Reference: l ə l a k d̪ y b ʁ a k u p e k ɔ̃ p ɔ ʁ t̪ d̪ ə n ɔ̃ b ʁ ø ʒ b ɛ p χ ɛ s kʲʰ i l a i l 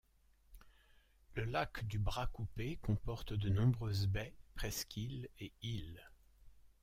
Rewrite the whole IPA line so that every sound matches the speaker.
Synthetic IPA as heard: l ə l a k d̪ y b ʁ a k u p e k ɔ̃ p ɔ ʁ t̪ d̪ ə n ɔ̃ b ʁ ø z b ɛ p χ ɛ s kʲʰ i l e i l